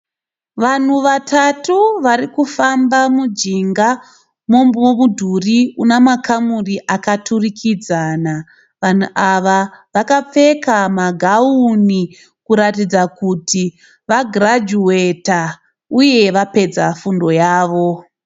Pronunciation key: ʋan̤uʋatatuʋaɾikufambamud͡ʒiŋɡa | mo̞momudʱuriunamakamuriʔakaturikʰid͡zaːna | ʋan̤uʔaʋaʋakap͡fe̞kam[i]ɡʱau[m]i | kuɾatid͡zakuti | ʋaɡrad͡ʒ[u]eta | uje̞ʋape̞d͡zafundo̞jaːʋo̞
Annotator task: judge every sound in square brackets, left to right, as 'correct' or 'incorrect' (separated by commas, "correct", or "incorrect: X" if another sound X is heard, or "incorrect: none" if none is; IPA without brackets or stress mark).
incorrect: a, incorrect: n, correct